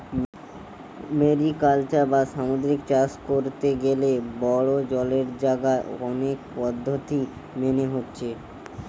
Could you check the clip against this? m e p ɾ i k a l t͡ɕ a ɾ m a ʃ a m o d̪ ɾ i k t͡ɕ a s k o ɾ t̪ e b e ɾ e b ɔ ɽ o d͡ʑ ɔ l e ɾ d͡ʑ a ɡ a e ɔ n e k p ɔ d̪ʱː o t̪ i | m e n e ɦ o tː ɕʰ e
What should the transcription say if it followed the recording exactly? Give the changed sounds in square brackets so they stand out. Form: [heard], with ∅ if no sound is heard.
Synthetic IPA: m e [∅] ɾ i k a l t͡ɕ a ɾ [b] a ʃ a m o d̪ ɾ i k t͡ɕ a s k o ɾ t̪ e [ɡ] e [l] e b ɔ ɽ o d͡ʑ ɔ l e ɾ d͡ʑ a ɡ a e ɔ n e k p ɔ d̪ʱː o t̪ i | m e n e ɦ o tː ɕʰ e